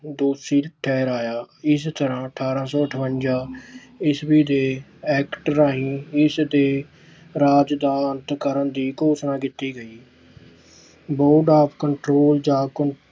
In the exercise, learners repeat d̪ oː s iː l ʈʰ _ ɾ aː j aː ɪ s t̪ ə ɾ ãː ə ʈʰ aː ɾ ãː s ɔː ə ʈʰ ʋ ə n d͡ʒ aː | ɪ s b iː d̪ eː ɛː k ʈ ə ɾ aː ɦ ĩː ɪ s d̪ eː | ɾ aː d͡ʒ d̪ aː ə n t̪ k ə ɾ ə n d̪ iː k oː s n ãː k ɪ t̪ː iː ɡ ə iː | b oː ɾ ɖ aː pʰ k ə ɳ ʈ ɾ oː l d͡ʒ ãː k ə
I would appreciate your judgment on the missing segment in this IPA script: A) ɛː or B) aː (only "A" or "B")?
A